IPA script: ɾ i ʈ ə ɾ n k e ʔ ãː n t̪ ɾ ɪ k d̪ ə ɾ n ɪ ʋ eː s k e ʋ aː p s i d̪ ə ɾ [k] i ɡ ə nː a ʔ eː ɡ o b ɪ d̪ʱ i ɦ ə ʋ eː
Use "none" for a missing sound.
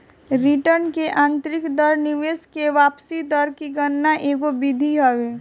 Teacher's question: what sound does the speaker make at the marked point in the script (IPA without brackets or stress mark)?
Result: k